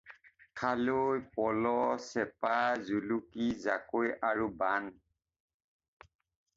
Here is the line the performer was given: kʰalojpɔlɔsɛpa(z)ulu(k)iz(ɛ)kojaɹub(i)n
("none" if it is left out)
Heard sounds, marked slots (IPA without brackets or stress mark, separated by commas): z, k, a, a